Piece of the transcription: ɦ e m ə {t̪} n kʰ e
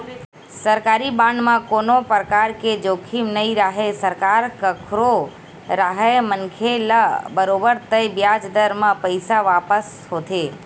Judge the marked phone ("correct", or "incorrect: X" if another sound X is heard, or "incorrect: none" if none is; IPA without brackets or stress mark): incorrect: none